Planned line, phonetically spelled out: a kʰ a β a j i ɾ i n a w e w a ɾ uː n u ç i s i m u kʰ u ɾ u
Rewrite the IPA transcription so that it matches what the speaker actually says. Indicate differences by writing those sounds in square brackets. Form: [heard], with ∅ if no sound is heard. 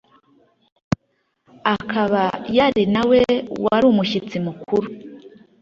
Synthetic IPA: a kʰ a β a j [a] ɾ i n a w e w a ɾ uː [m] u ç i [t͡s] i m u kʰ u ɾ u